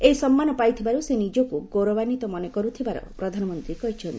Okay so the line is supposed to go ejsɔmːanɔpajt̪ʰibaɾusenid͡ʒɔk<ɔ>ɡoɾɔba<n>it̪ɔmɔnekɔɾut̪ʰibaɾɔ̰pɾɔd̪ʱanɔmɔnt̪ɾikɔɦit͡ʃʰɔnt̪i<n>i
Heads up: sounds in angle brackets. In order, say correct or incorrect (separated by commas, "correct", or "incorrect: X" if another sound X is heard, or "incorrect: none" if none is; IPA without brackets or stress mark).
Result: incorrect: u, correct, incorrect: none